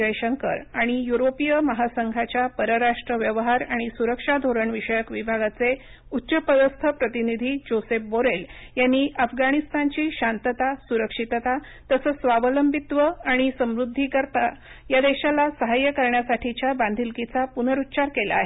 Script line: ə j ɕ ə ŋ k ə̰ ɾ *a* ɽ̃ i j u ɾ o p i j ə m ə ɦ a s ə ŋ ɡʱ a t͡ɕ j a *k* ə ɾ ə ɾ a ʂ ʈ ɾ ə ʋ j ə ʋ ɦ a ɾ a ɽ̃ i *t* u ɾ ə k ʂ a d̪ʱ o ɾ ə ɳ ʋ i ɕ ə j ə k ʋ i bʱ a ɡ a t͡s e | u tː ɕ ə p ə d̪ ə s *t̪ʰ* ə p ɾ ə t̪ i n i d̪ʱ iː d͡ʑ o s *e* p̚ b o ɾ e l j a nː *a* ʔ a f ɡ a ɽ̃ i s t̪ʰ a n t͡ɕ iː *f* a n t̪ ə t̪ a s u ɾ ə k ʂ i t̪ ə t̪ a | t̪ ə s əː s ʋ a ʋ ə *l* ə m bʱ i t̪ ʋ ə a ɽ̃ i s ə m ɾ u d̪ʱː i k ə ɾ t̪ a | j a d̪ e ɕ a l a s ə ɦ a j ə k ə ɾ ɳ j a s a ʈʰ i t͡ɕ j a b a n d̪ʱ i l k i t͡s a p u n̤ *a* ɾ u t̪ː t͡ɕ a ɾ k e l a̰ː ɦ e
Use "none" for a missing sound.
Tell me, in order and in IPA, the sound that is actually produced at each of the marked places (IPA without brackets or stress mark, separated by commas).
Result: a, p, s, t̪ʰ, e, i, ɕ, l, ə